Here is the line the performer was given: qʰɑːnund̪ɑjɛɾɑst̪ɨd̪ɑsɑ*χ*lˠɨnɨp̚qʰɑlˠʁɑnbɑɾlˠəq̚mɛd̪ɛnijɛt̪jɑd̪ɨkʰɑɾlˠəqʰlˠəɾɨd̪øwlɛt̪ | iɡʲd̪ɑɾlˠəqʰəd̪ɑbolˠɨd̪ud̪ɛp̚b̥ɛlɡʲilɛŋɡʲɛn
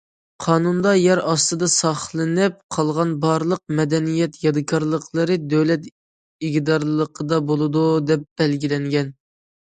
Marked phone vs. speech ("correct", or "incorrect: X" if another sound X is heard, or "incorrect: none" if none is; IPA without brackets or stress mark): correct